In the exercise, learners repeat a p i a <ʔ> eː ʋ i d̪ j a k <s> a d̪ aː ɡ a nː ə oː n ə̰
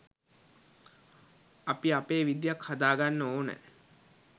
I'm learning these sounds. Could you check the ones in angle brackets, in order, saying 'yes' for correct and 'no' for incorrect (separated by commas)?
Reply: no, no